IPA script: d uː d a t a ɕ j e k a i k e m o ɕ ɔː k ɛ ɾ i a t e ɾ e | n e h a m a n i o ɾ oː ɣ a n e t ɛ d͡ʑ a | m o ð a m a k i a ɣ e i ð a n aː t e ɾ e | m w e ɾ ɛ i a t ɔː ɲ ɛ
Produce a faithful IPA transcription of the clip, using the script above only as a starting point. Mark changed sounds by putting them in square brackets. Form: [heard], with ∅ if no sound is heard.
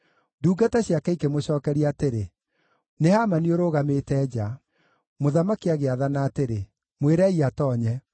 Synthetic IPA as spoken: d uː [ɡ] a t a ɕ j [a] k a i k e m o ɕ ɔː k ɛ ɾ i a t e ɾ e | n e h a m a n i o ɾ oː ɣ a [m] e t ɛ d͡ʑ a | m o ð a m a k i a ɣ e [a] ð a n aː t e ɾ e | m w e ɾ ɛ i a t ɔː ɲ ɛ